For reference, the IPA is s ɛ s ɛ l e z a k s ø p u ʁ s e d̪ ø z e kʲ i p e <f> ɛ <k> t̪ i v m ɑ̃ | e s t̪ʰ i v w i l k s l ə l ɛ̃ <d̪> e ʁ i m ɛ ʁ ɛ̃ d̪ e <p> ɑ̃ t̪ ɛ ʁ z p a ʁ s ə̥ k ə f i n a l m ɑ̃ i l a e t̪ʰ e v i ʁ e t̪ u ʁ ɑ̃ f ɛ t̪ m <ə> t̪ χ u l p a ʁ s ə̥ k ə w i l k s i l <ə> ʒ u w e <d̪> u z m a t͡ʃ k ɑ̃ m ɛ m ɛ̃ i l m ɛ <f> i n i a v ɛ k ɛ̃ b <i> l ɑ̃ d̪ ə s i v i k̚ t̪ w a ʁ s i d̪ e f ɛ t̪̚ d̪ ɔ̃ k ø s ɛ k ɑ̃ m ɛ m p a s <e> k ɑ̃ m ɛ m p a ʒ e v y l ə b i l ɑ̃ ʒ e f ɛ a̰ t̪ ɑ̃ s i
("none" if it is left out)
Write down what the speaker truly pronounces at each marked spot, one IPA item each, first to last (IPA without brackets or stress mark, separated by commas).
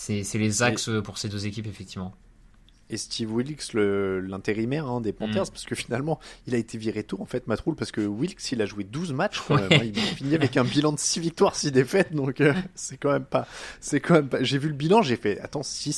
f, k, t̪, p, a, a, d̪, f, i, ɛ